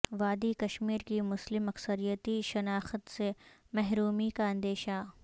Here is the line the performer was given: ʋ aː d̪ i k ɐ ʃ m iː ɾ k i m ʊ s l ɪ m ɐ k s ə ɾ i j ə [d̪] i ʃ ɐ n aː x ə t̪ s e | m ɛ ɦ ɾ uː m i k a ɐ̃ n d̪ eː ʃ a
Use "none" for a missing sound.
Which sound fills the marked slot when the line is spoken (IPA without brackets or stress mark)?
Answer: t̪